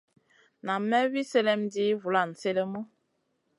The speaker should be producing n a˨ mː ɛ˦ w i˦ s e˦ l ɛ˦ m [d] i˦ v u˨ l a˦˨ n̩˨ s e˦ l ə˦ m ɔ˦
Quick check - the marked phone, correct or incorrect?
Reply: correct